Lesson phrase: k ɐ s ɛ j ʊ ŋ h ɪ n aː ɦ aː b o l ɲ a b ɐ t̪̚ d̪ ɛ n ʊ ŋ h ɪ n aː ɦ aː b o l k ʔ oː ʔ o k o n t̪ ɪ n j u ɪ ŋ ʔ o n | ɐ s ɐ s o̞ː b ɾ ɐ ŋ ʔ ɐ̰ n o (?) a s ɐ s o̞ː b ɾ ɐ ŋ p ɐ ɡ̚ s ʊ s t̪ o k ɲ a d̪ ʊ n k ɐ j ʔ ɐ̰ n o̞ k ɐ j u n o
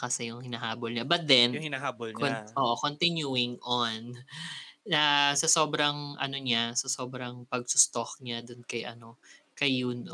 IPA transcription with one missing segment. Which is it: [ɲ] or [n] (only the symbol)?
ɲ